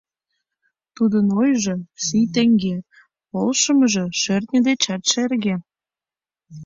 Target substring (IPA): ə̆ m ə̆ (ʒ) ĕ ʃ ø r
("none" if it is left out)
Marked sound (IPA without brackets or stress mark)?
ʒ